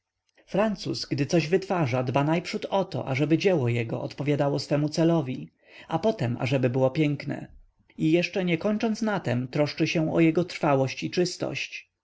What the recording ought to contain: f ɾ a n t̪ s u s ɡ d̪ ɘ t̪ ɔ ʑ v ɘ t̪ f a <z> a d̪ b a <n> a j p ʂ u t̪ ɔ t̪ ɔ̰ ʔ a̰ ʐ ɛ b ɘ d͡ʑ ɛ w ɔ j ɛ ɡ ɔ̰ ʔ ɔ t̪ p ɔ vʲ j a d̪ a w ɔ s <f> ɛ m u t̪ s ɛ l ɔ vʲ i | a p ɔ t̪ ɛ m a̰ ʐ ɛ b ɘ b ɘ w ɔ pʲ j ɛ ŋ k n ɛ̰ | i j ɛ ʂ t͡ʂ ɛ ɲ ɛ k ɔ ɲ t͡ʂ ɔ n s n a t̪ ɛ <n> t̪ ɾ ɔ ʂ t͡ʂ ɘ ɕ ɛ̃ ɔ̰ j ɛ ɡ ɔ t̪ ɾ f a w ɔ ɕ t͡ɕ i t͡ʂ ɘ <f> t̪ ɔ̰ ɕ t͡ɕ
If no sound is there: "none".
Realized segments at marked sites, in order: ʐ, n, f, m, s

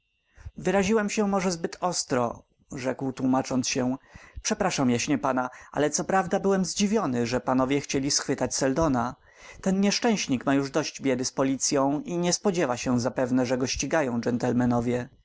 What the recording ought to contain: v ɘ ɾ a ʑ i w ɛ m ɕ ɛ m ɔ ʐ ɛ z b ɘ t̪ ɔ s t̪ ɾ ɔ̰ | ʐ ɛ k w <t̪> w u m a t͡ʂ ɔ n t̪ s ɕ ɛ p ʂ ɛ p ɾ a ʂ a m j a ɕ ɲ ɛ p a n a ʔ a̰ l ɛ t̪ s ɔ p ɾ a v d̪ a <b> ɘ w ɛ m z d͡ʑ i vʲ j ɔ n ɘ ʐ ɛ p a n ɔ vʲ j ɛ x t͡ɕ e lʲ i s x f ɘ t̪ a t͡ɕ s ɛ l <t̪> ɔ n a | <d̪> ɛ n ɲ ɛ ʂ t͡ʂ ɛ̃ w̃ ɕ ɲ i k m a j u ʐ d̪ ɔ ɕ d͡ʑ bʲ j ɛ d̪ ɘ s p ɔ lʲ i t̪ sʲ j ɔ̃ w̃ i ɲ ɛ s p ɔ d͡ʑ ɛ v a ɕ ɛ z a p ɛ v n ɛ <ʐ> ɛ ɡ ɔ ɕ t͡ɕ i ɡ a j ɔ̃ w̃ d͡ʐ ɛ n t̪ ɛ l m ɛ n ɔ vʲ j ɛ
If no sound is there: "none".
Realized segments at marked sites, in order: t̪, b, d̪, t̪, ʐ

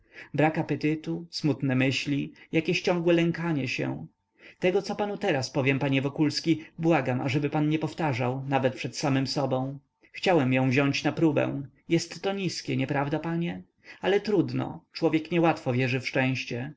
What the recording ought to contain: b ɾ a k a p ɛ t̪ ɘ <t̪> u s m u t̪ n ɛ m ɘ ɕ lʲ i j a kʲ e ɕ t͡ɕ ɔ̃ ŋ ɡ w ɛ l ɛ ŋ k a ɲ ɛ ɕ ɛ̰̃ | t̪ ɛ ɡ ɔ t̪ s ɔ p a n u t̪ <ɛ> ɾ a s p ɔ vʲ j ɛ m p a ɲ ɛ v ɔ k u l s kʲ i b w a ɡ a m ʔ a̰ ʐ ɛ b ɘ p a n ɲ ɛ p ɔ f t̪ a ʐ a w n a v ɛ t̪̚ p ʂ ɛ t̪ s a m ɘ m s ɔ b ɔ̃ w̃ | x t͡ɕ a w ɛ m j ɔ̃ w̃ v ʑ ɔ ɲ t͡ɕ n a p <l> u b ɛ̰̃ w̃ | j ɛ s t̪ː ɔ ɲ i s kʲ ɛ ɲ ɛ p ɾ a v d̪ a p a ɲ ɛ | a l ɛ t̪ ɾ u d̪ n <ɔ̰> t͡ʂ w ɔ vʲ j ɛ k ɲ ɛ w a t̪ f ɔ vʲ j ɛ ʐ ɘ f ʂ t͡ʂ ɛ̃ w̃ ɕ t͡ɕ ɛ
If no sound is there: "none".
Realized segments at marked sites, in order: t̪, ɛ, ɾ, ɔ̰

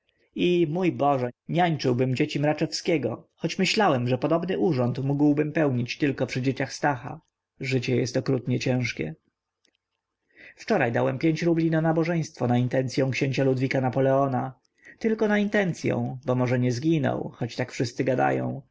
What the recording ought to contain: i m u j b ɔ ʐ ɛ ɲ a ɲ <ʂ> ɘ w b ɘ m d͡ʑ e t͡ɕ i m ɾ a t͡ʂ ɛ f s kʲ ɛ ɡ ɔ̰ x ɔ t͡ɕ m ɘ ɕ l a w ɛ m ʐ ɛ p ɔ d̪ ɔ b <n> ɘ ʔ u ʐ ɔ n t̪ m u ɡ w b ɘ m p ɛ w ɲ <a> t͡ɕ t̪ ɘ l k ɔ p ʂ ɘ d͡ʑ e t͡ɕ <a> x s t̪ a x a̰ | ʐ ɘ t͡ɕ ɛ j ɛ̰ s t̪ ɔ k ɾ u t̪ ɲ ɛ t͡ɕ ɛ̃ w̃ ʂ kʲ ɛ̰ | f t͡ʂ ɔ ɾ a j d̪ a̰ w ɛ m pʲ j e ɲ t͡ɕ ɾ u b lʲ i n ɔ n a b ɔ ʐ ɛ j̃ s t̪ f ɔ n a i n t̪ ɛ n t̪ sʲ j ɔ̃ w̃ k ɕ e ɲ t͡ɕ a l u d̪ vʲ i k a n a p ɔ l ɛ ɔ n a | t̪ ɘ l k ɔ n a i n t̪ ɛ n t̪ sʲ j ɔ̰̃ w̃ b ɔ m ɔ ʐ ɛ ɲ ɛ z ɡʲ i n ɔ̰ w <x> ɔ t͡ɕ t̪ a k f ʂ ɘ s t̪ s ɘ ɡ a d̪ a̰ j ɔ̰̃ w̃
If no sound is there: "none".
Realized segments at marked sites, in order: t͡ʂ, n, i, a, x

